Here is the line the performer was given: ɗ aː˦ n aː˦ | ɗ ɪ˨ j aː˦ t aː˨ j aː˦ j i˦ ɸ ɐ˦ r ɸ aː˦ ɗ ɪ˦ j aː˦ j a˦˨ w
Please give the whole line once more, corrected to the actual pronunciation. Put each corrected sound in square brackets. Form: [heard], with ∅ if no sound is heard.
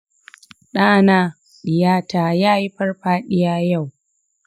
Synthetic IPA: ɗ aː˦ n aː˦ | ɗ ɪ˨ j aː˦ t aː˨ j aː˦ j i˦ ɸ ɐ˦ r ɸ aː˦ ɗ ɪ˦ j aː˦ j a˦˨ w